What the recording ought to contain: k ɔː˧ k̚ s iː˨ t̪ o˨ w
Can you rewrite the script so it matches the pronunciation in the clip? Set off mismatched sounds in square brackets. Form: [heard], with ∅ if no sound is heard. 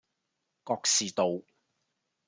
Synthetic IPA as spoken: k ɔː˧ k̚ s iː˨ t̪ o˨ w